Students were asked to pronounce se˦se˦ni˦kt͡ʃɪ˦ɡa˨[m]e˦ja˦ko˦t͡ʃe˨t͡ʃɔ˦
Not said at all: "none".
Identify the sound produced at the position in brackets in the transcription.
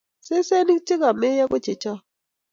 m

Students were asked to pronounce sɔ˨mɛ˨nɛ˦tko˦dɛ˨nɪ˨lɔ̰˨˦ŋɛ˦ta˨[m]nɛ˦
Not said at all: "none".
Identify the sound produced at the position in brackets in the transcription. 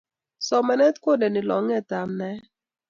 m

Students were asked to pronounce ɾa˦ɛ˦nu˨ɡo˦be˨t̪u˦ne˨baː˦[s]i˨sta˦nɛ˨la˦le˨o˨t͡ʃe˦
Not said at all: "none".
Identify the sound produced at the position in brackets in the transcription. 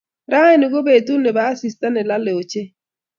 s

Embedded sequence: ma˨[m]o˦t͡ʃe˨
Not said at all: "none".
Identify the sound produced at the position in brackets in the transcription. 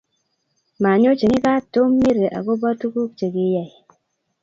ɲ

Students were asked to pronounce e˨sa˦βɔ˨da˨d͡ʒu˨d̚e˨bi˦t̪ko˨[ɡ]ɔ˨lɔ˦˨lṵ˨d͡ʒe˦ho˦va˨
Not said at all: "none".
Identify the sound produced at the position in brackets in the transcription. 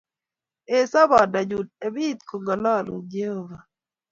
ɡ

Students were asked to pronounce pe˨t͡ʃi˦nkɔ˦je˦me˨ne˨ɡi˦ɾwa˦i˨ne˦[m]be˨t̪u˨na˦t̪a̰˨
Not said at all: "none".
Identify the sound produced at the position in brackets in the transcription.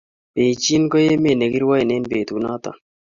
n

